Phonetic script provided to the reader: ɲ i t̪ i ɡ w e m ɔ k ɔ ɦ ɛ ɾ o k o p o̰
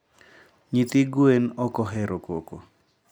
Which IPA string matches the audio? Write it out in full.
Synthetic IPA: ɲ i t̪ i ɡ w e n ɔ k ɔ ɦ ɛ ɾ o k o k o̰